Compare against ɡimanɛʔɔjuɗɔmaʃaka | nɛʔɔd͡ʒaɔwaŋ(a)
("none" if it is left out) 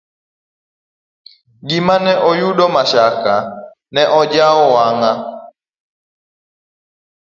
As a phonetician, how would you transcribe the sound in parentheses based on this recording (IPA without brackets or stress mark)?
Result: a